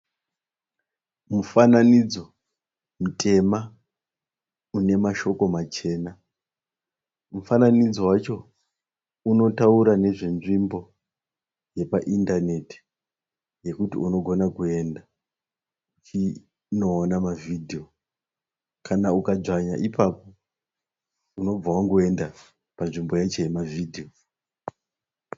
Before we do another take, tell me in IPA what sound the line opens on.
m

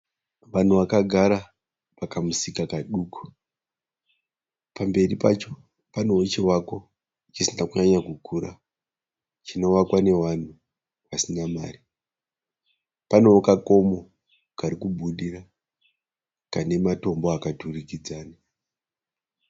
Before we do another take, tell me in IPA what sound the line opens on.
ʋ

